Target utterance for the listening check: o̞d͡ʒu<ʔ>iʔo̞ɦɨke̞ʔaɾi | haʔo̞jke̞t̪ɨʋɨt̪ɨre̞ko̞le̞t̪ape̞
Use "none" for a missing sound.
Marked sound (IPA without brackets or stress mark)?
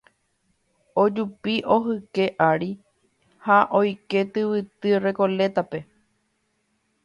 p